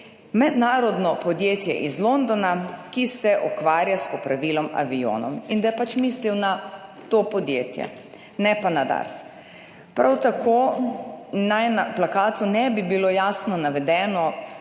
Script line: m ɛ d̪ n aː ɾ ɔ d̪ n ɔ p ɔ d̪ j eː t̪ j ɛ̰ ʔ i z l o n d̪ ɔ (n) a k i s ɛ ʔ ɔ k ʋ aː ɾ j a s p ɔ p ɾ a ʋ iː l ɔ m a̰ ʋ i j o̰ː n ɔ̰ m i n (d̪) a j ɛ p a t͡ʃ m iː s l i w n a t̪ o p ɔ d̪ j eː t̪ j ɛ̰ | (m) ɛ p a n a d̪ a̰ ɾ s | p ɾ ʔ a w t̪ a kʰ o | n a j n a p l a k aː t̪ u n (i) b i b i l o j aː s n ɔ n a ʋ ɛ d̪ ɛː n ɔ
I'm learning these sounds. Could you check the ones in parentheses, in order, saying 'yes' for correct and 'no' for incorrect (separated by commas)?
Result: yes, yes, no, no